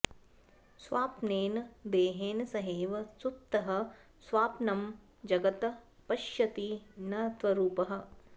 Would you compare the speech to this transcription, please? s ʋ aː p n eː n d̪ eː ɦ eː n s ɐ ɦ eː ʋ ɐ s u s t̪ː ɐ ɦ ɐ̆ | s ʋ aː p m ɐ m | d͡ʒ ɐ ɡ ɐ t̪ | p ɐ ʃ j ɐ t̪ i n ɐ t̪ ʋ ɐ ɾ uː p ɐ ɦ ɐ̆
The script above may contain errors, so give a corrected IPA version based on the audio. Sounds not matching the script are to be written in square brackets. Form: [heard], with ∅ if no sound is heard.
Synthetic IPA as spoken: s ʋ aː p n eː n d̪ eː ɦ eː n s ɐ ɦ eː ʋ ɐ s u [t] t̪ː ɐ ɦ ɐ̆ | s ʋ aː p [n] ɐ m | d͡ʒ ɐ ɡ ɐ t̪ | p ɐ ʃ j ɐ t̪ i n ɐ t̪ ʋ ɐ ɾ uː p ɐ ɦ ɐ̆